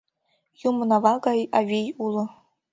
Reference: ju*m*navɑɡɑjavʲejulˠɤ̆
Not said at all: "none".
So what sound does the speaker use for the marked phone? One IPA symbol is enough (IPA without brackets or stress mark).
m